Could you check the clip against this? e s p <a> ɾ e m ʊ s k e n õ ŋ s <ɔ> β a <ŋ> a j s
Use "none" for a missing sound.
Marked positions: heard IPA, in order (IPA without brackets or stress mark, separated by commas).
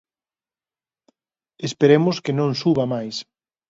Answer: e, u, m